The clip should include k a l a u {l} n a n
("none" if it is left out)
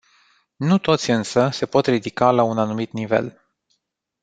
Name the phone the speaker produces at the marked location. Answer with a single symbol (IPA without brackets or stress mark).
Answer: none